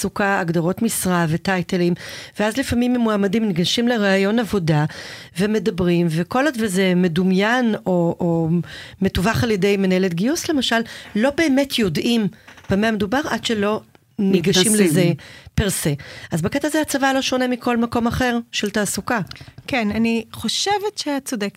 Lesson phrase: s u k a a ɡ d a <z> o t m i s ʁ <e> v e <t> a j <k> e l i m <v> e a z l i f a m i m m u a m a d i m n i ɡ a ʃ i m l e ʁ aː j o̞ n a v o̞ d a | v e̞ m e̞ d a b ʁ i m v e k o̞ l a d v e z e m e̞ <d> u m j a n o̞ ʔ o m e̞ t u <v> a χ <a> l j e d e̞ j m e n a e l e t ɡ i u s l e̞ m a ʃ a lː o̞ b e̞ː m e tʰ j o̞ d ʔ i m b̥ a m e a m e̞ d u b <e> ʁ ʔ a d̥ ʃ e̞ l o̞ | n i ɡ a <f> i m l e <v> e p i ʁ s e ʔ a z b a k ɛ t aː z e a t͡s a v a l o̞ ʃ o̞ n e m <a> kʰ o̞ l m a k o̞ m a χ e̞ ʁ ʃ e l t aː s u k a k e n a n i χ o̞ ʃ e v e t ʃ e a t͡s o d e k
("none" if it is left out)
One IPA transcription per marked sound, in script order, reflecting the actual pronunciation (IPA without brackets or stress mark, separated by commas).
ʁ, a, t, t, v, d, v, a, a, ʃ, z, i